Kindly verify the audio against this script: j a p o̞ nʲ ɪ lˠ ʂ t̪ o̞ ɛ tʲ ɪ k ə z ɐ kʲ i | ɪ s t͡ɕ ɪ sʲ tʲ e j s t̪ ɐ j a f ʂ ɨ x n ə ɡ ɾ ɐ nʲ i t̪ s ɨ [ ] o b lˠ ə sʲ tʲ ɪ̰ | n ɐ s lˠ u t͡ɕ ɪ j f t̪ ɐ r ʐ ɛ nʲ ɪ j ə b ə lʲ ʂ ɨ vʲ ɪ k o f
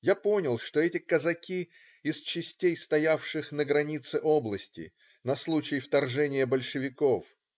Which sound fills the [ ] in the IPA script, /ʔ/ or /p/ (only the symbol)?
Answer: ʔ